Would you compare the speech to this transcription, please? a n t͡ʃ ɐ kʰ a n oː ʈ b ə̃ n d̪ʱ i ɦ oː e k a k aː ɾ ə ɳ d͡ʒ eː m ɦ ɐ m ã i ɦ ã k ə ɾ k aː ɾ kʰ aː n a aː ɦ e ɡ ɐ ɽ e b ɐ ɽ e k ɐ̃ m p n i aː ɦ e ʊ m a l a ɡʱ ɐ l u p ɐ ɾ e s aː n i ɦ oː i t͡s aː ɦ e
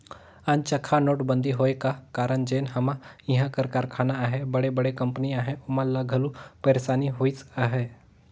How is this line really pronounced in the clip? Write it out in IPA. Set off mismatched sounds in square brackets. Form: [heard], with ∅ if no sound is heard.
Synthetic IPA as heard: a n t͡ʃ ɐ kʰ a n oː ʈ b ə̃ n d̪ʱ i ɦ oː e k a k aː ɾ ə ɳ d͡ʒ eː [n] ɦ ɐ m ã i ɦ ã k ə ɾ k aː ɾ kʰ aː n a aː ɦ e [b] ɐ ɽ e b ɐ ɽ e k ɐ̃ m p n i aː ɦ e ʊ m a l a ɡʱ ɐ l u p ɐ ɾ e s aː n i ɦ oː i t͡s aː ɦ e